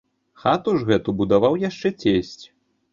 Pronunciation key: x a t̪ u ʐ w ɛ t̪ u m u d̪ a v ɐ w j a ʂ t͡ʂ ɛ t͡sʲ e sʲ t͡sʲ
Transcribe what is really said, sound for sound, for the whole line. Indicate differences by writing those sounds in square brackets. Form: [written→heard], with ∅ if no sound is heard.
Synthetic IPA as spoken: x a t̪ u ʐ [w→ɣ] ɛ t̪ u [m→b] u d̪ a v [ɐ→a] w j a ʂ t͡ʂ ɛ t͡sʲ e sʲ t͡sʲ